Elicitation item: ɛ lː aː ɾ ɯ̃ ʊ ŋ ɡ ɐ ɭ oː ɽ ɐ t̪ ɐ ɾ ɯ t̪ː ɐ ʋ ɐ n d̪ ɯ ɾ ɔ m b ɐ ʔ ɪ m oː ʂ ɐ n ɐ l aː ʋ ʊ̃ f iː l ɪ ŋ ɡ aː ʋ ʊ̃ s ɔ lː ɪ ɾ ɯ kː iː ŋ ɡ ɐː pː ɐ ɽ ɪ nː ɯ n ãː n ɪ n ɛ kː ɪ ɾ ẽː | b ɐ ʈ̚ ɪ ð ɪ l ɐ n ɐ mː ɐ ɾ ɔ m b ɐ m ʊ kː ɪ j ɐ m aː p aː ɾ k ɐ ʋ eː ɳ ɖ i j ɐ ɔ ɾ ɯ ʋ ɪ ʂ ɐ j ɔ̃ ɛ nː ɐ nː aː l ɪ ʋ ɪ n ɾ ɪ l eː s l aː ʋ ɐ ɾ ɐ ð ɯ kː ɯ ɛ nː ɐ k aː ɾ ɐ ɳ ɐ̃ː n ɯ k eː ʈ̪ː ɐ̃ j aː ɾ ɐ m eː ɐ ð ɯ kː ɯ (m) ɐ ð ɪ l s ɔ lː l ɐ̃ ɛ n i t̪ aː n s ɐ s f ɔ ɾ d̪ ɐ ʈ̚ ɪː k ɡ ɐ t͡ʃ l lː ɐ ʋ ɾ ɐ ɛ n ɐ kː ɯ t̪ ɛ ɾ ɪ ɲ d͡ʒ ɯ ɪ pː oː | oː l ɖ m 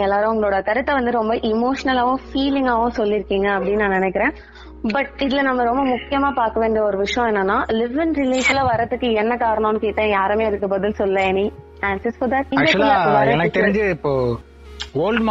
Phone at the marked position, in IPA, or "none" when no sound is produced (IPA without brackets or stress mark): b